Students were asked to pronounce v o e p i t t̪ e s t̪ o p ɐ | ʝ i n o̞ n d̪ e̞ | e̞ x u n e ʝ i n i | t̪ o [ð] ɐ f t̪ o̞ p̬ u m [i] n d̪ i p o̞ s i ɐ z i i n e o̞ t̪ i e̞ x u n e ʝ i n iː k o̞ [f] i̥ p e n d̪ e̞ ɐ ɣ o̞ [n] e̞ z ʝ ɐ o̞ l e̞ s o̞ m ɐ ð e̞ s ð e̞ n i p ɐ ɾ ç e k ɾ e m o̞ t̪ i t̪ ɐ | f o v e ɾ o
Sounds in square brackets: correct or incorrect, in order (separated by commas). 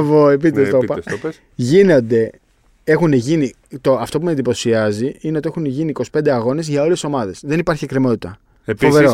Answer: incorrect, incorrect, incorrect, correct